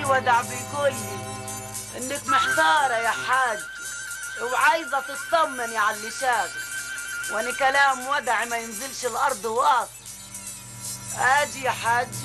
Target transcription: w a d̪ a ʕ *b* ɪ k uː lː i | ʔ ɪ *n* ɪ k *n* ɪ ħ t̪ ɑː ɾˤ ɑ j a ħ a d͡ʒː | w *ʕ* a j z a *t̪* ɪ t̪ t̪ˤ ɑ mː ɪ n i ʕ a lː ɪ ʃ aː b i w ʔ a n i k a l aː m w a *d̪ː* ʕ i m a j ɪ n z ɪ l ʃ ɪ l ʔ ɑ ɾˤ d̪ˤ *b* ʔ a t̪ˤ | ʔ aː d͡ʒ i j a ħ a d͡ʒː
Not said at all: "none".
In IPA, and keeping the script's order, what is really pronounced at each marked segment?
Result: b, nː, m, ʕ, t̪, d̪, w

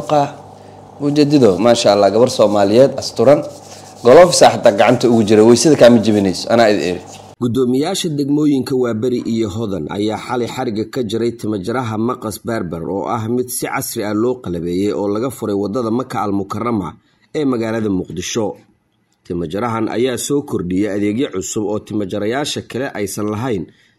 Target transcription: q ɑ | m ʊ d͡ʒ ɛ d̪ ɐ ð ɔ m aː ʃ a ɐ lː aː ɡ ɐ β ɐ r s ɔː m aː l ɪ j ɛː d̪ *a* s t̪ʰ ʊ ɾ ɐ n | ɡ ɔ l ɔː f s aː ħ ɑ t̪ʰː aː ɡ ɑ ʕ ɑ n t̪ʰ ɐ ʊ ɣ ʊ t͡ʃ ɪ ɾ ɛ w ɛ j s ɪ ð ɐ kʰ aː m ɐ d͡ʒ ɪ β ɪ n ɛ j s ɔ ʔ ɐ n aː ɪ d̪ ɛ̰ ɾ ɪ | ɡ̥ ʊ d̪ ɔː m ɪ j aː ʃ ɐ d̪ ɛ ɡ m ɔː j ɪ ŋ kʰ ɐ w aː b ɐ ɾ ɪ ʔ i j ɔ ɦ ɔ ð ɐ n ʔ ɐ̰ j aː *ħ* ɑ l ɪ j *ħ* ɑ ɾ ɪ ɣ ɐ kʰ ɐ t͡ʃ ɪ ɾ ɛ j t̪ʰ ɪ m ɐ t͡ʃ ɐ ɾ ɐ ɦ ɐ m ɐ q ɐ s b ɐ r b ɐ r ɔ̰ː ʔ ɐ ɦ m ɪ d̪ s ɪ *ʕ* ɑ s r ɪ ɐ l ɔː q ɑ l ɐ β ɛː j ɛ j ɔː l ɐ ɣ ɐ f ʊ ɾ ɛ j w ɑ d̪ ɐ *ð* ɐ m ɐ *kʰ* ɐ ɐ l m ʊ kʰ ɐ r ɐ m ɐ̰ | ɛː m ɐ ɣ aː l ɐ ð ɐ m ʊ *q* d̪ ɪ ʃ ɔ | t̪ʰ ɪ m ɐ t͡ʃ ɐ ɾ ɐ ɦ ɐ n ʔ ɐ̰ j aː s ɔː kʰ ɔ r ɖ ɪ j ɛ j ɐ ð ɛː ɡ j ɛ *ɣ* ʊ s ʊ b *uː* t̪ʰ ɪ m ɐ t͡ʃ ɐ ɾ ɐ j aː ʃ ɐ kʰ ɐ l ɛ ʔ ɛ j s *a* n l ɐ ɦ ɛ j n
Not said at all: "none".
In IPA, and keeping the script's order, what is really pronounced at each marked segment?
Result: ɐ, ħ, ħ, ʕ, ð, kʰ, q, ʕ, ɔː, ɐ

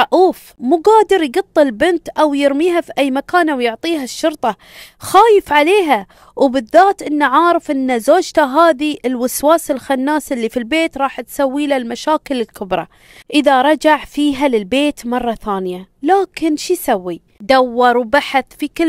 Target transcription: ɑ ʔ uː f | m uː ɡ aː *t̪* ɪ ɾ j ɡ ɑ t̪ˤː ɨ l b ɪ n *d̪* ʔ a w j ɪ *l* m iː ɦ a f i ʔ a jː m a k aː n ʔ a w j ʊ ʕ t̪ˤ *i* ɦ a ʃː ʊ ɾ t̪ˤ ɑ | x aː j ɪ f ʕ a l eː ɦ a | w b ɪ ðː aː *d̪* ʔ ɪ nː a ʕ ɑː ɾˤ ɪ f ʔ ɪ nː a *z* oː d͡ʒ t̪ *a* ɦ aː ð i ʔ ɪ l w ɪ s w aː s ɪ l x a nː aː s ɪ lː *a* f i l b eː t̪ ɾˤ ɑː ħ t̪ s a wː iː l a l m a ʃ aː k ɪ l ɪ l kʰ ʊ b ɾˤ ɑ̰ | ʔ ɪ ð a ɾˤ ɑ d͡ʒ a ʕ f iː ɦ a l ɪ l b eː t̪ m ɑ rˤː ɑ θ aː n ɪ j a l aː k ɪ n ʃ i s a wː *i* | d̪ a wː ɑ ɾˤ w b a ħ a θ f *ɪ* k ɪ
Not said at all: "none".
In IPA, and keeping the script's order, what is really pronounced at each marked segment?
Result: d̪, t̪, ɾ, iː, t̪, z, a, i, i, i

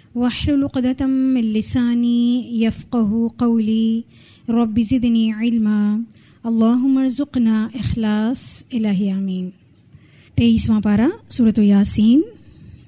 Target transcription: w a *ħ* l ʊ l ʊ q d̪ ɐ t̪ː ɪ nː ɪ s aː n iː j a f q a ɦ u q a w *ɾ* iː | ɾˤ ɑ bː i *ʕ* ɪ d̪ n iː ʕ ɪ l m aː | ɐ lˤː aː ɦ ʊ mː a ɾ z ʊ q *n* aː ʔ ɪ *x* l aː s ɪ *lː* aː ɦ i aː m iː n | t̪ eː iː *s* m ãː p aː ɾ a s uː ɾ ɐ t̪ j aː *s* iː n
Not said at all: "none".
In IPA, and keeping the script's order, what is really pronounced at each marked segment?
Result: ħ, l, z, n, x, l, s, s

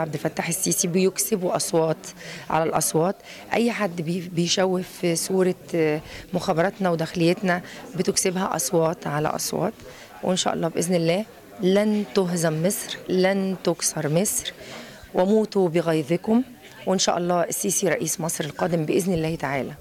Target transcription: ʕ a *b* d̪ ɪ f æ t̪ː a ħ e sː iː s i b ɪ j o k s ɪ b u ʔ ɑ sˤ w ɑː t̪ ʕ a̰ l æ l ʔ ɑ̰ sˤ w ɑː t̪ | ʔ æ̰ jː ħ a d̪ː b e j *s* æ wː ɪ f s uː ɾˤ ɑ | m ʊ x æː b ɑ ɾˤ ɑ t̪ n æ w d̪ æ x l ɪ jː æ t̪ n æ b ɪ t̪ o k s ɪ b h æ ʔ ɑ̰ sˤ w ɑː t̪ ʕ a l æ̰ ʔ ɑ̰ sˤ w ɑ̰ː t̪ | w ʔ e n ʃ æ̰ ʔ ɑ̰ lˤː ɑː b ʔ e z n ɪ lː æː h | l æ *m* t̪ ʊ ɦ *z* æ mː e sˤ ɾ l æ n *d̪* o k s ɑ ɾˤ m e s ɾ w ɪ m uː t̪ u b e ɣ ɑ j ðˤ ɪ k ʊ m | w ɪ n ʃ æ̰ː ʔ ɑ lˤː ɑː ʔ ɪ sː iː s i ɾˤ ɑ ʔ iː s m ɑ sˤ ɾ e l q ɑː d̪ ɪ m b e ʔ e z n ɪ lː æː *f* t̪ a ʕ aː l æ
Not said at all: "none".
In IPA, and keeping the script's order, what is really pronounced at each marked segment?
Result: b, ʃ, n, z, t̪, h

